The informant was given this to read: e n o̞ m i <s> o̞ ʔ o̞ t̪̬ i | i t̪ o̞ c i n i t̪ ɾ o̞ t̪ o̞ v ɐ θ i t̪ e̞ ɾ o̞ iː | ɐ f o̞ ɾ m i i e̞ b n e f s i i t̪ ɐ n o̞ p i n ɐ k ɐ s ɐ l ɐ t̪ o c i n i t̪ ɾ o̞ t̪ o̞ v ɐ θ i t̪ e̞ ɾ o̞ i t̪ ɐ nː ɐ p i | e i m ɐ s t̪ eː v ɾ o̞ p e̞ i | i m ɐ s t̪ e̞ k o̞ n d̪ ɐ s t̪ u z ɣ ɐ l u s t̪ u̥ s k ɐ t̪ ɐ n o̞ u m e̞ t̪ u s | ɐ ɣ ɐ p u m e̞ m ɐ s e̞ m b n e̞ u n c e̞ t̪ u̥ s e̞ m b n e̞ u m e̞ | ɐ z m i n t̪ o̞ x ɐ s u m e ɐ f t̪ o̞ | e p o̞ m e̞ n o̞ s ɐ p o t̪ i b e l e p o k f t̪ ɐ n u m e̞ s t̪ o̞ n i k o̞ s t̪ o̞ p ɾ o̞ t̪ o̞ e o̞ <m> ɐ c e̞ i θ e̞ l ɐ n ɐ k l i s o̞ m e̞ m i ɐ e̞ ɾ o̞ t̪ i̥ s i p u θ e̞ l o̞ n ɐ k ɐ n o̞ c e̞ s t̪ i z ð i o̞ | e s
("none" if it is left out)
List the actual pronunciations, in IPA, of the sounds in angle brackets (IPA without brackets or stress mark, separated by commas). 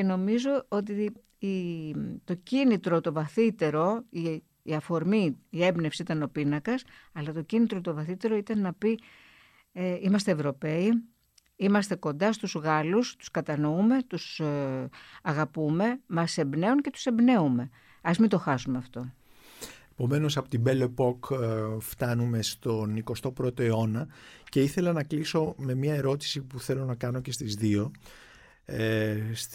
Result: z, n